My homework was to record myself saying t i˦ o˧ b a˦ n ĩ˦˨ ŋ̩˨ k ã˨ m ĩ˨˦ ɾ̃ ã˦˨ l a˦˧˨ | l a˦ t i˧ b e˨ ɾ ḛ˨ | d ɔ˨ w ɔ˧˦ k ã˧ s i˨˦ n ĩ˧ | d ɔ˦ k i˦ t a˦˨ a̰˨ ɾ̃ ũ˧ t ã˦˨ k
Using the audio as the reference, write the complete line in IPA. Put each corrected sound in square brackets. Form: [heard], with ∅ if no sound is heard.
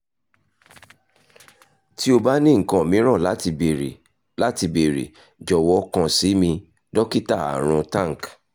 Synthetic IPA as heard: t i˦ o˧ b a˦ n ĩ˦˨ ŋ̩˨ k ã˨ m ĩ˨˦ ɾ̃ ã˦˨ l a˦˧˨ | l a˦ t i˧ b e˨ ɾ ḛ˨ | [d͡ʒ] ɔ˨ w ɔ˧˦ k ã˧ s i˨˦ [m] ĩ˧ | d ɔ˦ k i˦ t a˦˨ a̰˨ ɾ̃ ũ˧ t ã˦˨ k